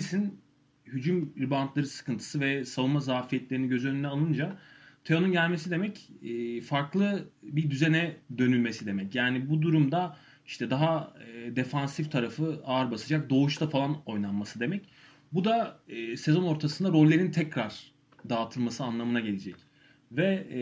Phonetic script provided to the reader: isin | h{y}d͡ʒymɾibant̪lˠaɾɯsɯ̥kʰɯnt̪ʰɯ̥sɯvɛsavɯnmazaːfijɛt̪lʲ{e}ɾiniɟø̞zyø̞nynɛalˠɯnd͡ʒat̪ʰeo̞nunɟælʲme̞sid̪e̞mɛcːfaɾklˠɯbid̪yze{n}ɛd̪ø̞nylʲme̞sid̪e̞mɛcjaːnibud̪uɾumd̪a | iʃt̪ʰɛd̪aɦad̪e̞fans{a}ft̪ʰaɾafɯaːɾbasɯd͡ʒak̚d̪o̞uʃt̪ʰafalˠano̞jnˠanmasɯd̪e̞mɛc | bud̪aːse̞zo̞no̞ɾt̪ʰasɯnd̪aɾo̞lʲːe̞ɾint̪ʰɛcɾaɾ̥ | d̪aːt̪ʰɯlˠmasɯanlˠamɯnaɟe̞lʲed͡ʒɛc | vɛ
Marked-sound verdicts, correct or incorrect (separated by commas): correct, correct, correct, incorrect